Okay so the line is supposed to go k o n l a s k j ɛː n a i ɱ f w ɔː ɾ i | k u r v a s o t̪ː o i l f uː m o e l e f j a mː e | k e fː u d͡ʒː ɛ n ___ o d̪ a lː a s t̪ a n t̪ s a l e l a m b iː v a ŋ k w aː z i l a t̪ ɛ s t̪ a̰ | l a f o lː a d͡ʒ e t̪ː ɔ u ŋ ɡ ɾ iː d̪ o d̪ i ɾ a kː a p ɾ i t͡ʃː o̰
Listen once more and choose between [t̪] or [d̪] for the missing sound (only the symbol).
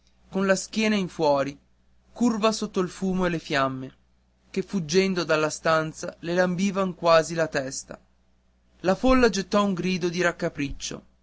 d̪